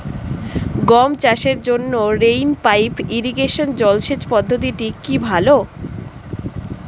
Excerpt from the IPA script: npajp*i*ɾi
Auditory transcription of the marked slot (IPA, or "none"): i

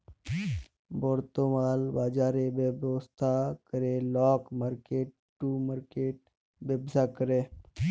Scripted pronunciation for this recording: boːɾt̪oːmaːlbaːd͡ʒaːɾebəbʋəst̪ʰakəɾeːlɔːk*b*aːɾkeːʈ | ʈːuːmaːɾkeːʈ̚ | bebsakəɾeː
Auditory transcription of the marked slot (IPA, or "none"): m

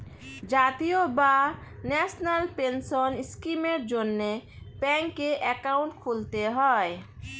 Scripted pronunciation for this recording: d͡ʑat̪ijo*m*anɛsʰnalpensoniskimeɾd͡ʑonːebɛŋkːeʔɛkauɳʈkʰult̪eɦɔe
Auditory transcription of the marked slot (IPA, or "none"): b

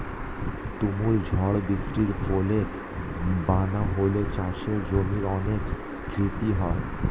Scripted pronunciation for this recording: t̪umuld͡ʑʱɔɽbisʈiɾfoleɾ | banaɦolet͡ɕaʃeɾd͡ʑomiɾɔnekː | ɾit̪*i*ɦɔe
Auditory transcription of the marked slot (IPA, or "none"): i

